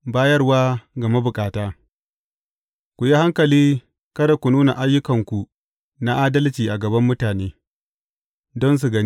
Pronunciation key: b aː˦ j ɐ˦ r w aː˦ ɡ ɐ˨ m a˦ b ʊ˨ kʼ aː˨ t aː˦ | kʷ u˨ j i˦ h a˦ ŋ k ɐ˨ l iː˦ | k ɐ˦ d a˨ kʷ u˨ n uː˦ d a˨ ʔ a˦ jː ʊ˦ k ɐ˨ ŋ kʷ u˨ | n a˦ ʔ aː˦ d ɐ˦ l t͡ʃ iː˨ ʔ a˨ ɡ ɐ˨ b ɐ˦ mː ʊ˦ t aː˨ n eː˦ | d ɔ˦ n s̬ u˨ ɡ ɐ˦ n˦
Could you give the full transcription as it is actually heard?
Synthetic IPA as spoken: b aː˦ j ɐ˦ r w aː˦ ɡ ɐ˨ m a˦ b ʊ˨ kʼ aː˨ t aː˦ | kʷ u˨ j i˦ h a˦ ŋ k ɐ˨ l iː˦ | k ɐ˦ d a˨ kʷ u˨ n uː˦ n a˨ ʔ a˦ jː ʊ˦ k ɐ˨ ŋ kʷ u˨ | n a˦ ʔ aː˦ d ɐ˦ l t͡ʃ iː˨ ʔ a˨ ɡ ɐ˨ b ɐ˦ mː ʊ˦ t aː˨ n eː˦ | d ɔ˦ n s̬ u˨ ɡ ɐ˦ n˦